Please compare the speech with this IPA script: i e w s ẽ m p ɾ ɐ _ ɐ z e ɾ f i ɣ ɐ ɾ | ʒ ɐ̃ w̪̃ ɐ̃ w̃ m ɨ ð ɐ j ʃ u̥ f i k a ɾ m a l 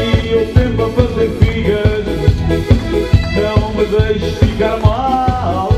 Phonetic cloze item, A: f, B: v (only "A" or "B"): A